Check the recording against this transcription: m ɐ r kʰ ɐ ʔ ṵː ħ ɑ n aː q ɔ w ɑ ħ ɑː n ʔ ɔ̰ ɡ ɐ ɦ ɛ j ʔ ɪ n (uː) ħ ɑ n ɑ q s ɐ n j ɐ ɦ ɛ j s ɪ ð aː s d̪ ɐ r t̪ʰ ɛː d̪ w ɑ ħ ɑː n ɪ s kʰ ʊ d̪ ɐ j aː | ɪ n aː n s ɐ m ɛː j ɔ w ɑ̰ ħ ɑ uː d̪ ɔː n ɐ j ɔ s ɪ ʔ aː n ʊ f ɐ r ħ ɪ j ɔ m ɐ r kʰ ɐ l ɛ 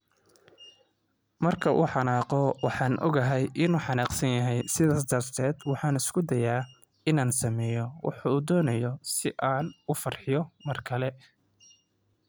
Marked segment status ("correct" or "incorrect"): correct